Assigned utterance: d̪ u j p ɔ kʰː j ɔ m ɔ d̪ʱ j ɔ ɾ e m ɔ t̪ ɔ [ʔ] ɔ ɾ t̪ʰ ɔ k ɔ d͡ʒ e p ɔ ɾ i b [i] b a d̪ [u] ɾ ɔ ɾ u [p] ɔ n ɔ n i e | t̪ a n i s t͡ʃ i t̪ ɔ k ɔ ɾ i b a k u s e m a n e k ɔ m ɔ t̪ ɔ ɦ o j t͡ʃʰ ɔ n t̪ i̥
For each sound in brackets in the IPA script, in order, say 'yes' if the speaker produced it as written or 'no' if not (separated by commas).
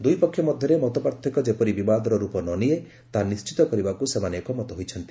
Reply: no, yes, no, yes